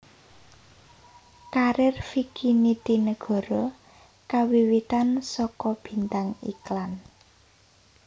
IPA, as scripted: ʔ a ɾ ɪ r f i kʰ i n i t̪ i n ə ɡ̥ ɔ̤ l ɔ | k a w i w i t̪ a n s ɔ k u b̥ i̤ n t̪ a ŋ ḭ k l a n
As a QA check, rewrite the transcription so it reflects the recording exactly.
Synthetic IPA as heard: k a ɾ ɪ r f i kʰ i n i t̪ i n ə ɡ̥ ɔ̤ ɾ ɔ | k a w i w i t̪ a n s ɔ k ɔ b̥ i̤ n t̪ a ŋ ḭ k l a n

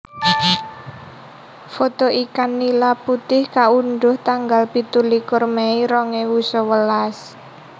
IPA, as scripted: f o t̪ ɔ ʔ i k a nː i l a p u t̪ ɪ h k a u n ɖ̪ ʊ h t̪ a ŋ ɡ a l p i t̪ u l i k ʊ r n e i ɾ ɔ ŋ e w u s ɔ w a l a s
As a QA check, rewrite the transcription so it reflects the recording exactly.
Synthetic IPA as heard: f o t̪ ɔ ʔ i k a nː i l a p u t̪ ɪ h k a u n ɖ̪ ʊ h t̪ a ŋ ɡ a l p i t̪ u l i k ʊ r m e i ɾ ɔ ŋ e w u s ɔ w ə l a s

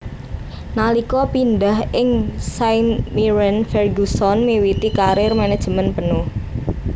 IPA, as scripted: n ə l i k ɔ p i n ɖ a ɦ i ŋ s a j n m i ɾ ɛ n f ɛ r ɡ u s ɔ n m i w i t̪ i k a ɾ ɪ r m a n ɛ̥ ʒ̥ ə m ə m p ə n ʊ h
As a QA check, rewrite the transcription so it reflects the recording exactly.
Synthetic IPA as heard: n a l i k ɔ p i n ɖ a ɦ ɪ ŋ s a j n m i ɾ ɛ n f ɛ r ɡ u s ɔ n m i w i t̪ i k a ɾ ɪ r m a n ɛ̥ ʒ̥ ə m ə n p ə n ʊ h

